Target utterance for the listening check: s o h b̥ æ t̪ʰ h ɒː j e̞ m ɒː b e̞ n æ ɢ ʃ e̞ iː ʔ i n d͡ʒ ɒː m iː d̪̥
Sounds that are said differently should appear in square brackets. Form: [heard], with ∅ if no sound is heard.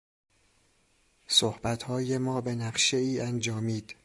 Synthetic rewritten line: s o h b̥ æ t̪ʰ h ɒː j e̞ m ɒː b e̞ n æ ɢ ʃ e̞ iː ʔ [æ] n d͡ʒ ɒː m iː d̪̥